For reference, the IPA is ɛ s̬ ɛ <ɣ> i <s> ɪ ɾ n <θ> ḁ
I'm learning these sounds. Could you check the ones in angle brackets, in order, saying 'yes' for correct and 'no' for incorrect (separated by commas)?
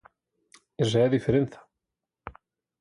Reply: no, no, yes